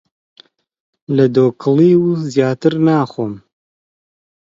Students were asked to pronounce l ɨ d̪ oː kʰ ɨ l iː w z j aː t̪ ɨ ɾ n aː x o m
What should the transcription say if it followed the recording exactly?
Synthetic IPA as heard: l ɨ d̪ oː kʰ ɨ l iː w z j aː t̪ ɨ ɾ n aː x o m